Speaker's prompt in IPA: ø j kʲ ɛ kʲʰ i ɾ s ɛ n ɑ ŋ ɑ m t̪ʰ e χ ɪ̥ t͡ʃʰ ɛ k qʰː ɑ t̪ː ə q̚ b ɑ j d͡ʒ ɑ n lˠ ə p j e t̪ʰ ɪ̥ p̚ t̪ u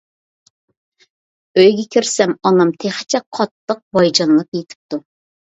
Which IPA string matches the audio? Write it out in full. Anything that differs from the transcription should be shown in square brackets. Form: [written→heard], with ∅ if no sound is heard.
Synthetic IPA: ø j [kʲ→ɡʲ] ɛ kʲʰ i ɾ s ɛ [n→m] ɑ [ŋ→n] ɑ m t̪ʰ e χ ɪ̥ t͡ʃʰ ɛ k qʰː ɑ t̪ː ə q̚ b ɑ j d͡ʒ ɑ n lˠ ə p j e t̪ʰ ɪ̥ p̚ t̪ u